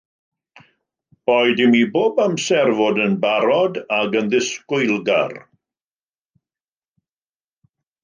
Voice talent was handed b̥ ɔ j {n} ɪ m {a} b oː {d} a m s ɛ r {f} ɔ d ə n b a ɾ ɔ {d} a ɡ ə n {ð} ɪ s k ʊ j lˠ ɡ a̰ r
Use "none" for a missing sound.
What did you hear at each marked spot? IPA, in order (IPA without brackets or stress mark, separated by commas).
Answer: d, i, b, v, d, ð